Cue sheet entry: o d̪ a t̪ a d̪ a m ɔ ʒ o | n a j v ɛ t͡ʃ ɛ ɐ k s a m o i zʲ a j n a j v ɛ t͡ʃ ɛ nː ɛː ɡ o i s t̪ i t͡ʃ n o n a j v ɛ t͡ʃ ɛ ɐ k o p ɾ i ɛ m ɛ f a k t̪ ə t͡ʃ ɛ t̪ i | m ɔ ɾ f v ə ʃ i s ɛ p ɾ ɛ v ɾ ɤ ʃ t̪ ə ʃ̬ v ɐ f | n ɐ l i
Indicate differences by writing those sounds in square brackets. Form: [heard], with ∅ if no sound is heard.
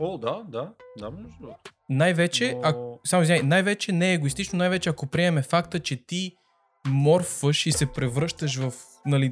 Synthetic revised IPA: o d̪ a [d̪] a d̪ a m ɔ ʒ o | n a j v ɛ t͡ʃ ɛ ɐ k s a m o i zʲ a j n a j v ɛ t͡ʃ ɛ [n] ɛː ɡ o i s t̪ i t͡ʃ n o n a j v ɛ t͡ʃ ɛ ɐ k o p ɾ i ɛ m ɛ f a k t̪ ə t͡ʃ ɛ t̪ i | m ɔ ɾ f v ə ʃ i s ɛ p ɾ ɛ v ɾ ɤ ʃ t̪ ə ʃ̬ v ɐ f | n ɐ l i